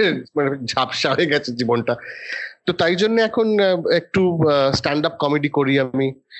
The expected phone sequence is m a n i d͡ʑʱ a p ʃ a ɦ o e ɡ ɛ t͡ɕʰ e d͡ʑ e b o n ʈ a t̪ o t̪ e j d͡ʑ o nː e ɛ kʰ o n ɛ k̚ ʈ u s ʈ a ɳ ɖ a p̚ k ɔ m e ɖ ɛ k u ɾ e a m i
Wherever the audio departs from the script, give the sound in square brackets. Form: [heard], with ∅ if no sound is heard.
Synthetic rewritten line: m a n [e] d͡ʑʱ a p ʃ a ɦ o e ɡ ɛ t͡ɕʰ e d͡ʑ [i] b o n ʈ a t̪ o t̪ [a] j d͡ʑ o nː e ɛ kʰ o n [e] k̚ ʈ u s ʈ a ɳ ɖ a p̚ k ɔ m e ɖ [i] k [o] ɾ [i] a m i